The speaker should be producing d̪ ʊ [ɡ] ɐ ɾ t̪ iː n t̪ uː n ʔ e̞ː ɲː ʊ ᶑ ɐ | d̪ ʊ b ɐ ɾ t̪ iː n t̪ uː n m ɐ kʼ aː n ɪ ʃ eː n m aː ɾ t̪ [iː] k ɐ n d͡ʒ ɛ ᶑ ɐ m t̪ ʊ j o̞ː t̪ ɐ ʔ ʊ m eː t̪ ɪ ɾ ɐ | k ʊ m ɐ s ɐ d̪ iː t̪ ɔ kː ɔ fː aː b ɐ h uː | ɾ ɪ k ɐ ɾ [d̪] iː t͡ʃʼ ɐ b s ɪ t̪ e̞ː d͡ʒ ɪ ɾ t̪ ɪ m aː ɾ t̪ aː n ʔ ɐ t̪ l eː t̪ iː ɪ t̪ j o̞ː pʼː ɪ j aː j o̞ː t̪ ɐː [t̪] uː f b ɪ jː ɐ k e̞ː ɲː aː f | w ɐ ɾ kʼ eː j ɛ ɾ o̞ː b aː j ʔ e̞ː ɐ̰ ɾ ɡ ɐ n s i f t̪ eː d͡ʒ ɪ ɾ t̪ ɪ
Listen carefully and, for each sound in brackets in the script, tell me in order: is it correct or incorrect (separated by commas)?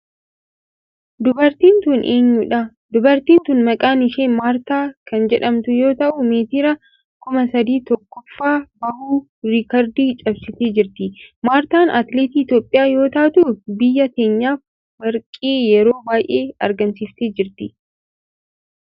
incorrect, incorrect, correct, correct